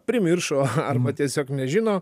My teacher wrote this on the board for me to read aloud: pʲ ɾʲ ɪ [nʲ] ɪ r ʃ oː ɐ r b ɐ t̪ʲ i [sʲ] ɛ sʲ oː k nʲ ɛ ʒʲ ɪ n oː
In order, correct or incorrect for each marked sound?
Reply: incorrect: mʲ, incorrect: none

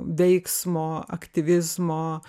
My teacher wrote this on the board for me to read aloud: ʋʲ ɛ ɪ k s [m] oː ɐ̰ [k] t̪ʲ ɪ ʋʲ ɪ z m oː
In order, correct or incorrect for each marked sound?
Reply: correct, correct

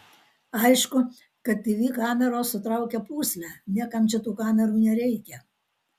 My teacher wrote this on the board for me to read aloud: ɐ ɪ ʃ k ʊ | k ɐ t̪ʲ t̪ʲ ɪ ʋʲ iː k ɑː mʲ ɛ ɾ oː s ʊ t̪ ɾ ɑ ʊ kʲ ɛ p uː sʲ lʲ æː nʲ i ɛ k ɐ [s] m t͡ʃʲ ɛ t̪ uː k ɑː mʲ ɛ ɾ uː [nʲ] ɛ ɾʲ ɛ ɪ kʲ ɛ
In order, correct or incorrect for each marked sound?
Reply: incorrect: none, correct

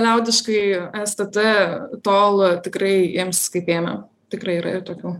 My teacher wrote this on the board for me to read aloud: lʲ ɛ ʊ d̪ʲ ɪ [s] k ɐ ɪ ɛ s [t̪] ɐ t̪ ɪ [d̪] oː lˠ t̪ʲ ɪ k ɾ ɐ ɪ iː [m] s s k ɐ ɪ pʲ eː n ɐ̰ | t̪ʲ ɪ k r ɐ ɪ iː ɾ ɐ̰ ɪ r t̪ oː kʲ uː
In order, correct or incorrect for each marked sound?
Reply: incorrect: ʃ, correct, incorrect: t̪, correct

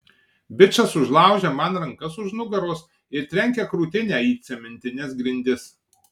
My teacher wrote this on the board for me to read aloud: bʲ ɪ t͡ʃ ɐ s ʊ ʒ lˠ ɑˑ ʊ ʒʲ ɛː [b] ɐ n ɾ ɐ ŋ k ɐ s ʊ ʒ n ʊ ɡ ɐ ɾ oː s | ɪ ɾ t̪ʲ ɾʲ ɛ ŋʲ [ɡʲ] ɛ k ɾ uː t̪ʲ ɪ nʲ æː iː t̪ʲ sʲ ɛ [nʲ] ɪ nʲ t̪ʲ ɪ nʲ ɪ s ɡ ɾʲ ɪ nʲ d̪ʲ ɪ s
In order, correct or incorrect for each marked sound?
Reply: incorrect: m, incorrect: kʲ, incorrect: mʲ

